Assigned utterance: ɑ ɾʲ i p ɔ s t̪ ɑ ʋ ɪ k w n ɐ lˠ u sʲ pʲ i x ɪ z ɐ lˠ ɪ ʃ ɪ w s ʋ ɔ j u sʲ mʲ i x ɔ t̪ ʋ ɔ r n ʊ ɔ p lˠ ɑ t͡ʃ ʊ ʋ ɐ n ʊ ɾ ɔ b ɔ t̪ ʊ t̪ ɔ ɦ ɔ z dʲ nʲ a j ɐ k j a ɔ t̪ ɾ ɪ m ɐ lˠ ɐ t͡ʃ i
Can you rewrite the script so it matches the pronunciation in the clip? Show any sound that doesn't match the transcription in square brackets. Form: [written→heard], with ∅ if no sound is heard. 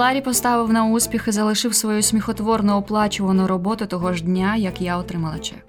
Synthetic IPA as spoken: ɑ ɾʲ i p ɔ s t̪ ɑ ʋ ɪ [k→∅] w n ɐ [lˠ→∅] u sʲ pʲ i x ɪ z ɐ lˠ ɪ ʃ ɪ w s ʋ ɔ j u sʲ mʲ i x ɔ t̪ ʋ ɔ r n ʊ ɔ p lˠ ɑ t͡ʃ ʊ ʋ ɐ n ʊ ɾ ɔ b ɔ t̪ ʊ t̪ ɔ ɦ ɔ [z→ʒ] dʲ nʲ a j ɐ k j a ɔ t̪ ɾ ɪ m ɐ lˠ ɐ t͡ʃ [i→ɛ]